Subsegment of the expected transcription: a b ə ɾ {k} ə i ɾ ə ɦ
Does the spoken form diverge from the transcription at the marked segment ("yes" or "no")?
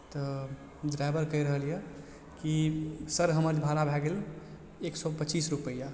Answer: no